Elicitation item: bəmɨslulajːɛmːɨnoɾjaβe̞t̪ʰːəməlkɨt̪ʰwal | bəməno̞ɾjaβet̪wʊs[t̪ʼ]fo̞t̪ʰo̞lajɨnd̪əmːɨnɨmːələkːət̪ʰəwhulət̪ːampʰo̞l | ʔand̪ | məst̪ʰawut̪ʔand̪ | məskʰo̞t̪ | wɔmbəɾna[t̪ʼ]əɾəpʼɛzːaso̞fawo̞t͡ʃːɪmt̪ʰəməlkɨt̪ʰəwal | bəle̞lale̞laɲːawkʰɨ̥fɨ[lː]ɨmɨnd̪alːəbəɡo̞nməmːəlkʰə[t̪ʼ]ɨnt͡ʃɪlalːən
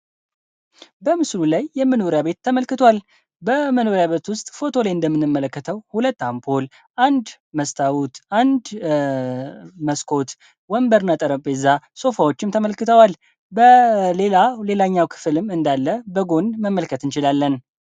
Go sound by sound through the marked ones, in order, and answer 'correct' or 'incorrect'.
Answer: correct, correct, incorrect, incorrect

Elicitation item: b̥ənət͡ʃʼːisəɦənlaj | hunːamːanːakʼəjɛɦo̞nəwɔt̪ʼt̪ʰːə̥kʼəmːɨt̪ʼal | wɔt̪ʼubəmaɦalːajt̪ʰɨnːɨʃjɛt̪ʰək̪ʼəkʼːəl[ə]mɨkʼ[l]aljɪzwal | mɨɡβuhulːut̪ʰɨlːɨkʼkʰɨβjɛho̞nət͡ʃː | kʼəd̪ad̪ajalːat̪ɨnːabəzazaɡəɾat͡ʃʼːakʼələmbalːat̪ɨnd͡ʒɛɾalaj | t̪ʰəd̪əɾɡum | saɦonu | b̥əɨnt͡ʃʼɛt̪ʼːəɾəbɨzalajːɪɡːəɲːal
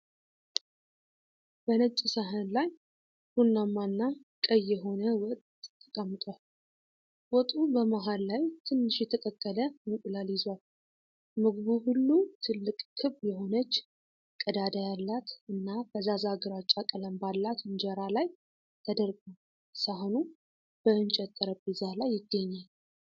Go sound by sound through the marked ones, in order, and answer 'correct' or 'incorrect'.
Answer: correct, correct

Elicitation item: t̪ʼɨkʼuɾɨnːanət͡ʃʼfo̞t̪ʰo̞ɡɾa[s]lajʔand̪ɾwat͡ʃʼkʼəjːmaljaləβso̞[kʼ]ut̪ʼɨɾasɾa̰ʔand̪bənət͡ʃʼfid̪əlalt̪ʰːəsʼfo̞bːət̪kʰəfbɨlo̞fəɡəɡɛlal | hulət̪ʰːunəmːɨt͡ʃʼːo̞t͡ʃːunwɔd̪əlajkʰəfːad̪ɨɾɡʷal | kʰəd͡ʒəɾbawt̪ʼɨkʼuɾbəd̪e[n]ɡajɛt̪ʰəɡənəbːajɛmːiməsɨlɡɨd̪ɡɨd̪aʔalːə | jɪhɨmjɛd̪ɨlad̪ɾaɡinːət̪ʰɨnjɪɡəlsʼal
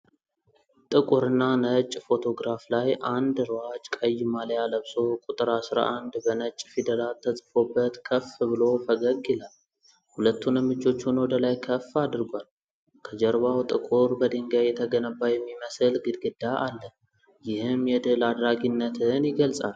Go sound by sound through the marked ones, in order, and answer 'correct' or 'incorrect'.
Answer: incorrect, correct, incorrect

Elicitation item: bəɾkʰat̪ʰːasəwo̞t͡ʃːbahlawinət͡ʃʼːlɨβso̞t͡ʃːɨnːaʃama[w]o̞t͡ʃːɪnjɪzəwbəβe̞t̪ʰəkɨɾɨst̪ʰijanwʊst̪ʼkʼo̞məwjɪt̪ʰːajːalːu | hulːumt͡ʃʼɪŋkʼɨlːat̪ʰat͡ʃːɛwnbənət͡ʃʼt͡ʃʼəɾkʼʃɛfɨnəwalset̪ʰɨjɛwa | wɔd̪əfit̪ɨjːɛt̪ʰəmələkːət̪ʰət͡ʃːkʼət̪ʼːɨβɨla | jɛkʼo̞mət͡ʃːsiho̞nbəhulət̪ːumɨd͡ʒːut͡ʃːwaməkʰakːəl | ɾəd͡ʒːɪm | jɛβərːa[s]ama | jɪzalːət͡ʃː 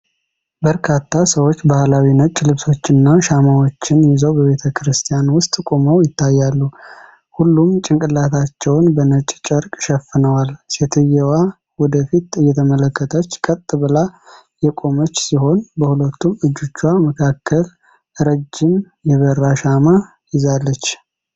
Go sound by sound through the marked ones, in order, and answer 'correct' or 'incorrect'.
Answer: correct, incorrect

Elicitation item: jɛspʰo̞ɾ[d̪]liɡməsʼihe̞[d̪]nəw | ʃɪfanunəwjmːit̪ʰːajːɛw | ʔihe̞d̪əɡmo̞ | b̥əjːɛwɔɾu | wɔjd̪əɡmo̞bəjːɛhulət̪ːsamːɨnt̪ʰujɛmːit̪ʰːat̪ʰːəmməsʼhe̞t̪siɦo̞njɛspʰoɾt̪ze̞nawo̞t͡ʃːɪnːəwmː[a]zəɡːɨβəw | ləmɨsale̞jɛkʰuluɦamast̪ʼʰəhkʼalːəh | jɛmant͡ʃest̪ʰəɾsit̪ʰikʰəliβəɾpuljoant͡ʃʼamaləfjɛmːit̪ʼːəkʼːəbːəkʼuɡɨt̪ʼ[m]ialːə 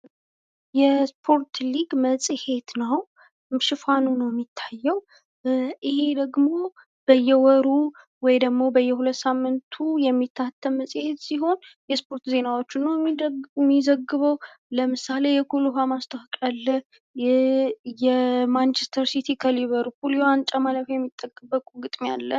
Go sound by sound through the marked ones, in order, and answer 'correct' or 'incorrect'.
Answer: incorrect, incorrect, incorrect, correct

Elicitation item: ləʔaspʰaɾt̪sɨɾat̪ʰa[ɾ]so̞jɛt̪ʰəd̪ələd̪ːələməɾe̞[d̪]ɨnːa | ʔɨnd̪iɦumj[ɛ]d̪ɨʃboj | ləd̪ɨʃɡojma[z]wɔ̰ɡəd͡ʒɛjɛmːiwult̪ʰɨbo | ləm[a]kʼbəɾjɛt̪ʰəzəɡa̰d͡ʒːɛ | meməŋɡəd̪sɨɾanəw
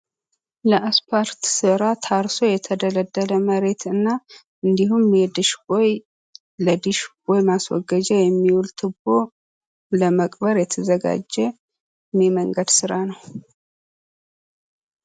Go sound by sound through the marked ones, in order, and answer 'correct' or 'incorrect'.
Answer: correct, incorrect, correct, incorrect, incorrect

